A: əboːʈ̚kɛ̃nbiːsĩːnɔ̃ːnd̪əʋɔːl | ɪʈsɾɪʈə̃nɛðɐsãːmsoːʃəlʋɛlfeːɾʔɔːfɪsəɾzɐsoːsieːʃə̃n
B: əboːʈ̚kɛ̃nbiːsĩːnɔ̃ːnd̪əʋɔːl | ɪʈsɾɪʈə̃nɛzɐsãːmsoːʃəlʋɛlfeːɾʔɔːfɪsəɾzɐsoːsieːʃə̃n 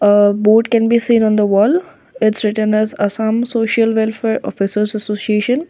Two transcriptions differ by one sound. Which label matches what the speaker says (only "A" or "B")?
B